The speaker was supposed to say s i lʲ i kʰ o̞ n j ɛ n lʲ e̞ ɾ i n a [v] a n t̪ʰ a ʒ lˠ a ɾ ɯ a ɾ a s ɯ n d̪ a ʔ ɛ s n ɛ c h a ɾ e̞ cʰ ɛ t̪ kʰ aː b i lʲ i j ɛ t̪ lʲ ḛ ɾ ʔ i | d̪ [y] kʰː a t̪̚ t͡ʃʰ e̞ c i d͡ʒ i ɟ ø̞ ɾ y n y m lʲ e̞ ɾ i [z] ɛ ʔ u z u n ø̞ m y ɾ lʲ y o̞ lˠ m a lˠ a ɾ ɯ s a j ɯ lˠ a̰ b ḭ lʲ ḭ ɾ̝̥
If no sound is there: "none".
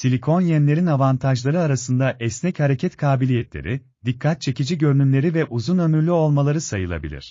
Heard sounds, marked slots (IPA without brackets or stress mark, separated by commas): v, i, v